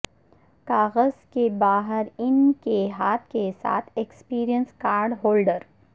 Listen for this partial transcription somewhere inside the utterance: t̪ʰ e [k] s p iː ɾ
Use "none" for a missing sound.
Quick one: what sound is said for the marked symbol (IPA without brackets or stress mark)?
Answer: k